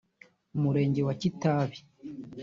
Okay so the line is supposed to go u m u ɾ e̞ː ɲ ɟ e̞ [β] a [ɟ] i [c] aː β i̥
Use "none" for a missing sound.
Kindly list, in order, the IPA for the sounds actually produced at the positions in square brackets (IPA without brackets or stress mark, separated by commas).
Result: w, c, t